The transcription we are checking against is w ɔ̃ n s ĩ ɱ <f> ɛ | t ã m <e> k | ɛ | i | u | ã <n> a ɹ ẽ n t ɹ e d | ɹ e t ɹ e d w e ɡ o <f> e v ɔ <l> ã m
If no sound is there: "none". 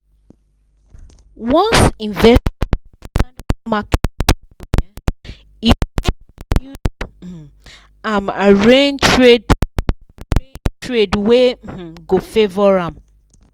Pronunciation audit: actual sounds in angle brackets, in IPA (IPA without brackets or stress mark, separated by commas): v, a, m, f, ɹ